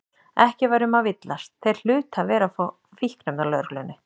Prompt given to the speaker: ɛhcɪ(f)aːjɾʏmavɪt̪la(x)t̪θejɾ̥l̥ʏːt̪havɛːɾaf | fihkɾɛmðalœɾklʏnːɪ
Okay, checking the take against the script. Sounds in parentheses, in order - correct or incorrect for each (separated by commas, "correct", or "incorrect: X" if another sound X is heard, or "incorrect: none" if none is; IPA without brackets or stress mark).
incorrect: v, incorrect: s